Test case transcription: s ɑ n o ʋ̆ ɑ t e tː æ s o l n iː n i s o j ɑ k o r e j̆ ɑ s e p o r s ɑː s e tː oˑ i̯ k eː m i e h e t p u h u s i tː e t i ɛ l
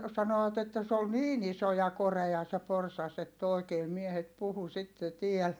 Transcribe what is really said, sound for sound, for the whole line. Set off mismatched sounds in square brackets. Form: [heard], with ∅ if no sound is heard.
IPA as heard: s ɑ n o ʋ̆ ɑ t e tː æ s o l n iː n i s o j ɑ k o r e j̆ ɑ s e p o r s [ɑ] s e tː oˑ i̯ k eː m i e h e t p u h u s i tː e t i ɛ l